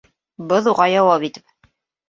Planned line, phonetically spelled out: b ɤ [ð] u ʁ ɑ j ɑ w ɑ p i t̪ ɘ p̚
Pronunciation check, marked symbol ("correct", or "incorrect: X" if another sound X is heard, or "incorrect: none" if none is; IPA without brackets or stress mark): correct